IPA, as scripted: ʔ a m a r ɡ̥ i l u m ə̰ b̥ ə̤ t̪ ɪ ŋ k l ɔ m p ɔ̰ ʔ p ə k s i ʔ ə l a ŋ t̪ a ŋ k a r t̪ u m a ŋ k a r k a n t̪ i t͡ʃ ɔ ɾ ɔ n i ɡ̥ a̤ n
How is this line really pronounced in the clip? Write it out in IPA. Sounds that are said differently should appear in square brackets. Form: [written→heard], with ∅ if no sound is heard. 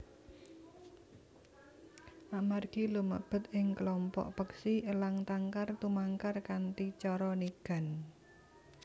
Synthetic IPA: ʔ a m a r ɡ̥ i l u m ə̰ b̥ ə̤ t̪ ɪ ŋ k l ɔ m p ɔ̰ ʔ p ə k s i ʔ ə l a ŋ t̪ a ŋ k a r t̪ u m a ŋ k a r k a n t̪ i t͡ʃ ɔ ɾ ɔ n i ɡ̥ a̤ n